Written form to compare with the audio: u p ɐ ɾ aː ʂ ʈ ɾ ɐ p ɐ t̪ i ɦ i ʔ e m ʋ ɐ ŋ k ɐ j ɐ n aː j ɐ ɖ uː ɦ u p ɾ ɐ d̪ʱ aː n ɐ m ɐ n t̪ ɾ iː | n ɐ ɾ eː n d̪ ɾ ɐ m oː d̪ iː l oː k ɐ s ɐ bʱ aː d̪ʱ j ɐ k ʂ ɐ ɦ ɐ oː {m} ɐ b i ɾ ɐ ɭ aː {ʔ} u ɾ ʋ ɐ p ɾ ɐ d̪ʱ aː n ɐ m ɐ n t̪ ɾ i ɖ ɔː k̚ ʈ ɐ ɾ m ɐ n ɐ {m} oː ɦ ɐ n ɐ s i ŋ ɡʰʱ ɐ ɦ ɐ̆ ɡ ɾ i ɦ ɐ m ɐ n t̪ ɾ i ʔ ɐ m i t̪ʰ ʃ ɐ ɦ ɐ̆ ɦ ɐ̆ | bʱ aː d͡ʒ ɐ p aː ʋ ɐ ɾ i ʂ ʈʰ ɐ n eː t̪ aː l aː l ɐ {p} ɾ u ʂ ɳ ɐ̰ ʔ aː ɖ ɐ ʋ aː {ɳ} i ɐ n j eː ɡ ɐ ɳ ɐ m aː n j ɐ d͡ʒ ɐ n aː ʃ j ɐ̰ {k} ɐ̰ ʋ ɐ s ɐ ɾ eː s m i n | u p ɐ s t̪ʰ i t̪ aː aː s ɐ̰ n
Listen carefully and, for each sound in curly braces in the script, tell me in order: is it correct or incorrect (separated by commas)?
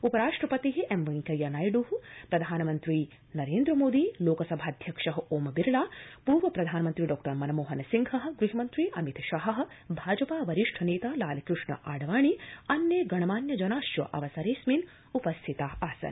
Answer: correct, incorrect, correct, incorrect, correct, incorrect